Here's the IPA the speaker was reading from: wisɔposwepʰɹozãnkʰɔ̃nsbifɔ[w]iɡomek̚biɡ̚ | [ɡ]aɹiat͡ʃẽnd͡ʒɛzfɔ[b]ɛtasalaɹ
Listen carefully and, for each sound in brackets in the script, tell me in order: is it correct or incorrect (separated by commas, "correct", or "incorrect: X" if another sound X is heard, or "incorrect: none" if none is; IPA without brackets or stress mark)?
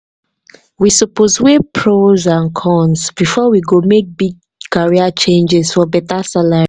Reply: correct, incorrect: k, correct